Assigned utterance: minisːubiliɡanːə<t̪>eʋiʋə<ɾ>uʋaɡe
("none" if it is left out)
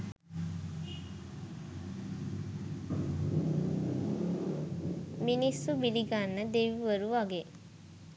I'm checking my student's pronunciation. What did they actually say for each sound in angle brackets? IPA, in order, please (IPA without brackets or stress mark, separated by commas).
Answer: d̪, ɾ